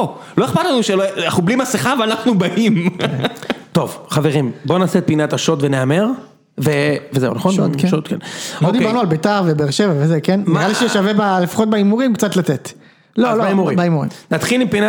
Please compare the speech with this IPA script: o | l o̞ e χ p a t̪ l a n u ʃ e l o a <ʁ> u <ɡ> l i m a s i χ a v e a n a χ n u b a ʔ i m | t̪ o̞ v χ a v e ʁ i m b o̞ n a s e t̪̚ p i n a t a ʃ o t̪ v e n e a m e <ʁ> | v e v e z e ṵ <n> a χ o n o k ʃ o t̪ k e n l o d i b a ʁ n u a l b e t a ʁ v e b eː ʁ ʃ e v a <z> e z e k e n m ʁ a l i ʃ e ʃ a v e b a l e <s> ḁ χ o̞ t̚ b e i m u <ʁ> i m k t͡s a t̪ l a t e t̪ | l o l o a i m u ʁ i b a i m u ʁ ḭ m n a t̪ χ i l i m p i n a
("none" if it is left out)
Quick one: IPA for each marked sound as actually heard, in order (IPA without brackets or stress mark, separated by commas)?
χ, b, ʁ, n, v, f, ʁ